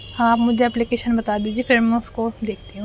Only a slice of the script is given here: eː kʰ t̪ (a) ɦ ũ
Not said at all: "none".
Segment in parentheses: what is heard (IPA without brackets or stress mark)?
i